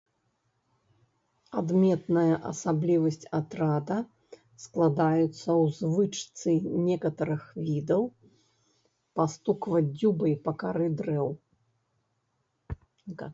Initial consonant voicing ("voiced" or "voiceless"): voiced